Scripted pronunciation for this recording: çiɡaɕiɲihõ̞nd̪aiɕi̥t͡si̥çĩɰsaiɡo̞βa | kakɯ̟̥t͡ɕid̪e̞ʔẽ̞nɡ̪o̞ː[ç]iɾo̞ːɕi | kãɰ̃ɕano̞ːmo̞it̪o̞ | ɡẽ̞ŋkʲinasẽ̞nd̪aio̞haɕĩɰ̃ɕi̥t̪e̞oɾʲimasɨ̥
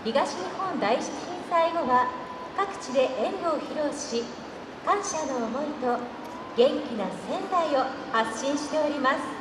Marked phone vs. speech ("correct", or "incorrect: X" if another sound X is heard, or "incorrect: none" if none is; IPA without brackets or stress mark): correct